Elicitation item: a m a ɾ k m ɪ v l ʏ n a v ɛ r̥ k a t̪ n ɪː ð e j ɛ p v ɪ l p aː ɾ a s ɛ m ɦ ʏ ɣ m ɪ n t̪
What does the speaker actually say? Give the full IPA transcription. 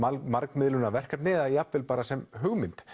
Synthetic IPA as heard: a m a ɾ k m ɪ ð l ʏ n a v ɛ r̥ k a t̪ n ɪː ð a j a p v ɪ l p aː ɾ a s ɛ m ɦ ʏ ɣ m ɪ n t̪

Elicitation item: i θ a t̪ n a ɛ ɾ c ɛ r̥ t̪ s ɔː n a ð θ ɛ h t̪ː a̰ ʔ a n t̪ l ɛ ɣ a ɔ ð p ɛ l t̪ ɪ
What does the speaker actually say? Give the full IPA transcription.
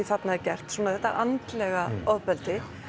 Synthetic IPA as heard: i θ a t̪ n a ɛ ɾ c ɛ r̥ t̪ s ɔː n a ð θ ɛ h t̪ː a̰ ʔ a n t̪ l ɛ ɣ a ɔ ð p ɛ l t̪ ɪ

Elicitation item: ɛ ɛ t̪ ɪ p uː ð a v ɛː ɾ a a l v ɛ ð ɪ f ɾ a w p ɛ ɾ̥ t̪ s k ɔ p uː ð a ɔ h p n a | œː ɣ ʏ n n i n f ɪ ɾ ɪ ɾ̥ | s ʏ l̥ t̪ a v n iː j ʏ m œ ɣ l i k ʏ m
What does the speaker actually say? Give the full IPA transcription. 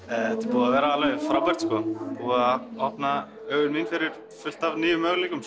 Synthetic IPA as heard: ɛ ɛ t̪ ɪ p uː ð a v ɛː ɾ a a l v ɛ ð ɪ f ɾ a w p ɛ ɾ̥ t̪ s k ɔ p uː ð a ɔ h p n a | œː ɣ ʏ n m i n f ɪ ɾ ɪ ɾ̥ | f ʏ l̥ t̪ a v n iː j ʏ m œ ɣ l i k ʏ m

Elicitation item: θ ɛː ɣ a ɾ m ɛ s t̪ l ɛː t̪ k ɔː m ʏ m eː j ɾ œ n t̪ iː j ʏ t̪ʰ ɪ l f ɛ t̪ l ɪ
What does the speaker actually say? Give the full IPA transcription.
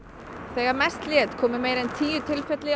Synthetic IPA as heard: θ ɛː ɣ a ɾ m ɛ s t̪ l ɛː t̪ kʰ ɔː m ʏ m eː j ɾ ɛ n t̪ʰ iː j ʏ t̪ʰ ɪ l f ɛ t̪ l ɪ

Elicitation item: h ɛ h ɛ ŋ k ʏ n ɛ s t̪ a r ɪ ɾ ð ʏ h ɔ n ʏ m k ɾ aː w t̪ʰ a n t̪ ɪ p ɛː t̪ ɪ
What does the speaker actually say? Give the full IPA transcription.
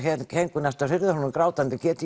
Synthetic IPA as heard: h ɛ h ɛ ŋ k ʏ n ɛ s t̪ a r ɪ ɾ ð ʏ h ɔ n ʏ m k ɾ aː w t̪ a n t̪ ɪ c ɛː t̪ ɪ

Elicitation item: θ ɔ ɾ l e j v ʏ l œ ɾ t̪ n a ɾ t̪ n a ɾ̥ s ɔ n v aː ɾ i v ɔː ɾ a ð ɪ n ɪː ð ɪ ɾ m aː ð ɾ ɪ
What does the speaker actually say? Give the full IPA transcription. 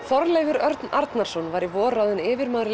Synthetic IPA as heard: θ ɔ ɾ l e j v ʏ ɾ œ ɾ t̪ n a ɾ t̪ n a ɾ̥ s ɔ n v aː ɾ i v ɔː ɾ a ð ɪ n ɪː v ɪ ɾ m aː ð ɾ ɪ

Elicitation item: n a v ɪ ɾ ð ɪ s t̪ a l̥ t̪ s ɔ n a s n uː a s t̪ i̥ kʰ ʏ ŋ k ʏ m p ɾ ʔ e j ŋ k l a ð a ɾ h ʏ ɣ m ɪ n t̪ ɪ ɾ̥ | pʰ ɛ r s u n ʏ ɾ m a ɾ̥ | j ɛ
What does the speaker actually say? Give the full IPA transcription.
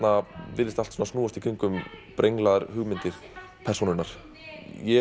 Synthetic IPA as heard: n a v ɪ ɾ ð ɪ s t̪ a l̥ t̪ s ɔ n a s n uː a s t̪ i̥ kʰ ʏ ŋ k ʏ m p ɾ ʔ e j ŋ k l a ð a ɾ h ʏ ɣ m ɪ n t̪ ɪ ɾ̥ | pʰ ɛ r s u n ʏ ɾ n a ɾ̥ | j ɛ

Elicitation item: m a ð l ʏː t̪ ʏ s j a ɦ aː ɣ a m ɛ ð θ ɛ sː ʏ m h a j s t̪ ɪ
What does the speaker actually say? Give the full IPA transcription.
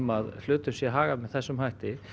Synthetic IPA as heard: m a ð l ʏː t̪ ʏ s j ɛ ɦ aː ɣ a m ɛ ð θ ɛ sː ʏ m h a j h t̪ ɪ

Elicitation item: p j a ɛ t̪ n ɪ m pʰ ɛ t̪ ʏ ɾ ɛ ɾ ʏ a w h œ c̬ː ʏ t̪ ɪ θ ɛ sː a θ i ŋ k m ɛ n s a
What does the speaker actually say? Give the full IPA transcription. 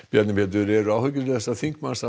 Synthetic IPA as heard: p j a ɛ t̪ n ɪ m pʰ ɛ t̪ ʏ ɾ ɛ ɾ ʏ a w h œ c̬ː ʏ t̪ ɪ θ ɛ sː a θ i ŋ k m a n s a

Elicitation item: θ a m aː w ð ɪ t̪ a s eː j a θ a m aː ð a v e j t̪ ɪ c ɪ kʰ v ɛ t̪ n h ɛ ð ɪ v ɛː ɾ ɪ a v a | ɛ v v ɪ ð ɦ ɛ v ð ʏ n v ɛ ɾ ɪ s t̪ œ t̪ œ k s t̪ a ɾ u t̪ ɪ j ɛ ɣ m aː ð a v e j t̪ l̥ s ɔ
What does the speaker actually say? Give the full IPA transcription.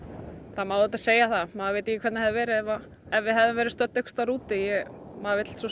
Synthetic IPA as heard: θ a m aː w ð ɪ t̪ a s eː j a θ a m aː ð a v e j t̪ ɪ c ɪ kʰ v ɛ t̪ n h ɛ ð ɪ v ɛː ɾ ɪ ɛ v a | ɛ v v ɪ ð ɦ ɛ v ð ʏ m v ɛ ɾ ɪ s t̪ œ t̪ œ k s t̪ a ɾ uː t̪ ɪ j ɛ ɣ m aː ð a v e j t̪ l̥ s ɔ

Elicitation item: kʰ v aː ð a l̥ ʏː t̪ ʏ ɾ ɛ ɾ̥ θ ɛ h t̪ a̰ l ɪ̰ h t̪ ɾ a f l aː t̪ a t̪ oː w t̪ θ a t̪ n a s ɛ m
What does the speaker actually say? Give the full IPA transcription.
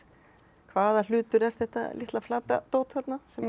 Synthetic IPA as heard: kʰ v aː ð a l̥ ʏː t̪ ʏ ɾ ɛ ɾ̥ θ ɛ h t̪ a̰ l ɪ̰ h t̪ l a f l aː t̪ a t̪ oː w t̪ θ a t̪ n a s ɛ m

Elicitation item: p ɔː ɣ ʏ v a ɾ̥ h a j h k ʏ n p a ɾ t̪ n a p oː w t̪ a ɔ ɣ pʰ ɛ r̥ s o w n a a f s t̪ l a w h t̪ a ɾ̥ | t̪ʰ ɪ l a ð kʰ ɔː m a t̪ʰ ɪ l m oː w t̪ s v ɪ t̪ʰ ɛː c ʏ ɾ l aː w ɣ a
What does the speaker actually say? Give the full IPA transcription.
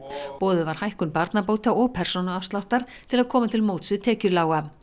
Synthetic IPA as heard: p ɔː ð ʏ v a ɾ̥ h a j h k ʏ n p a ɾ t̪ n a p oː w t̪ a ɔ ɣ pʰ ɛ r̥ s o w n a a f s t̪ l a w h t̪ a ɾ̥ | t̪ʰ ɪ l a ð kʰ ɔː m a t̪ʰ ɪ l m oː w t̪ s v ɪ t̪ʰ ɛː c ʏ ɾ l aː w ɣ a

